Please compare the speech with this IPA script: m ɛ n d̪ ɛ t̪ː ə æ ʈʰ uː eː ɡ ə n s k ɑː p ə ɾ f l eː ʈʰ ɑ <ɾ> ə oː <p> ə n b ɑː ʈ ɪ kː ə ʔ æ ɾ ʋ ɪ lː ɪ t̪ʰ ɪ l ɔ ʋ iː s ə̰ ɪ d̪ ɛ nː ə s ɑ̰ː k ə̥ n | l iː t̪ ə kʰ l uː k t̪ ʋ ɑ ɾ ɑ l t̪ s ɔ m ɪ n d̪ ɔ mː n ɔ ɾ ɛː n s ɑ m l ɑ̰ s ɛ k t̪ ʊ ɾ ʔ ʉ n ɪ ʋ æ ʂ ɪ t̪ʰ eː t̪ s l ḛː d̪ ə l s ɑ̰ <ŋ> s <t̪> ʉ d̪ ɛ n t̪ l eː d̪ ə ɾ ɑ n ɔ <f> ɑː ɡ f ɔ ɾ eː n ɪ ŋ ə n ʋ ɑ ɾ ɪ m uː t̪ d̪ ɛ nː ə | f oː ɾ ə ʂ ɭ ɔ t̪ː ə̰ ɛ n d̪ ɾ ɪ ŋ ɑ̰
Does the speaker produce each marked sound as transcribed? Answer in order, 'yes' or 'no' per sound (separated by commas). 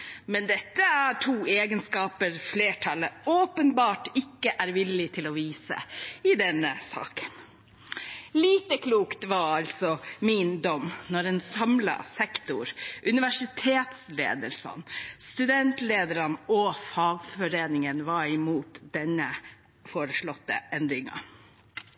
no, yes, no, yes, yes